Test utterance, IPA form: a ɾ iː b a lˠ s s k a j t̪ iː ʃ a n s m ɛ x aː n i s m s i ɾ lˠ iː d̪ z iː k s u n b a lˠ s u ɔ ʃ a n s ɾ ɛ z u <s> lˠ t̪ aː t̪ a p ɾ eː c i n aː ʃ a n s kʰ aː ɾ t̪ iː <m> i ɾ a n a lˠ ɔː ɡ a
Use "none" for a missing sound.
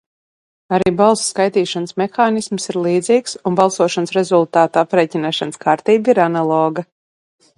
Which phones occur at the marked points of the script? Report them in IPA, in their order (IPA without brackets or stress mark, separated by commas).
none, b